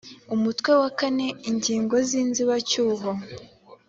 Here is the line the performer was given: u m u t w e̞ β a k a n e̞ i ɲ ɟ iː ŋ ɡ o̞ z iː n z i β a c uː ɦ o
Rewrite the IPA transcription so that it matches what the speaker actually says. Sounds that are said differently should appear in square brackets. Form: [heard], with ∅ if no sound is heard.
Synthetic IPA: u m u t w e̞ [w] a k a n e̞ i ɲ ɟ iː ŋ ɡ o̞ z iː n z i β a c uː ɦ o